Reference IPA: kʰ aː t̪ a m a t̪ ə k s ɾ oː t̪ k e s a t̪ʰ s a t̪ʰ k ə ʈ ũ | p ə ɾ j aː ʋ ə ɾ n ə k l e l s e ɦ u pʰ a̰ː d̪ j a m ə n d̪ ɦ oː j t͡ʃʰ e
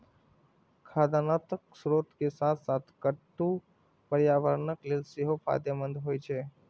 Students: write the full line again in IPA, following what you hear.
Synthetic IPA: kʰ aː d̪ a n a t̪ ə k s ɾ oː t̪ k e s a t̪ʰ s a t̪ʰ k ə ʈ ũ | p ə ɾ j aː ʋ ə ɾ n ə k l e l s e ɦ o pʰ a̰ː d̪ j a m ə n d̪ ɦ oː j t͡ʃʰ e